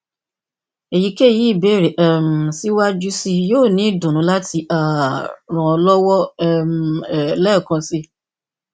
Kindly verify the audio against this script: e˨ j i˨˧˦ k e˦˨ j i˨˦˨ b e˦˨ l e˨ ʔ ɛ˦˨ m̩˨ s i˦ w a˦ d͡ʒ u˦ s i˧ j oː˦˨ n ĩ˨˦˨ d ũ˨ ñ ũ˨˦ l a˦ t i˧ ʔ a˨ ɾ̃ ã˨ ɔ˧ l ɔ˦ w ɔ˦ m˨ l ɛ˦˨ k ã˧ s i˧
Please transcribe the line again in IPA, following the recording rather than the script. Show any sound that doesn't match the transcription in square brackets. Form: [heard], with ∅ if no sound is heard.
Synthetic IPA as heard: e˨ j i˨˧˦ k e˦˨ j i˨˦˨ b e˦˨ [ɾ] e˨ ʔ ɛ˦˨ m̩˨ s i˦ w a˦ d͡ʒ u˦ s i˧ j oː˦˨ n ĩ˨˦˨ d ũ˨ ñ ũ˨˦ l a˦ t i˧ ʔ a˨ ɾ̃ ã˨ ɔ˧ l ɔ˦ w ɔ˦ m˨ l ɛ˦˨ k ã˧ s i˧